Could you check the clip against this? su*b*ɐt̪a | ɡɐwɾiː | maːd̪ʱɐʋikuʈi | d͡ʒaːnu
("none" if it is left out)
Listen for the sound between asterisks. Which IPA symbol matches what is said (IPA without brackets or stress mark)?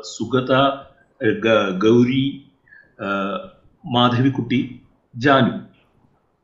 ɡ